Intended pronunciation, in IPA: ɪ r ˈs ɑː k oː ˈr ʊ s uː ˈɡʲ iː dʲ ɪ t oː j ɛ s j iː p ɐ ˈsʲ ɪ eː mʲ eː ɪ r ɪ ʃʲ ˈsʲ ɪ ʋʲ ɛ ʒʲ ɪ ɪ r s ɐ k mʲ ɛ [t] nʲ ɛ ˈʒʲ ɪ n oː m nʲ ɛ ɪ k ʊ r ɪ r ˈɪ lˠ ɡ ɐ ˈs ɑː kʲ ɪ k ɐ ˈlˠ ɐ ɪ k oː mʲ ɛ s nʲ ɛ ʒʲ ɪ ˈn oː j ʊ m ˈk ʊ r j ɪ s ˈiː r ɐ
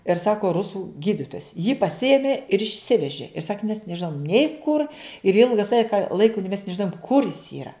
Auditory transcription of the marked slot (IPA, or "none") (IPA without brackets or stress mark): s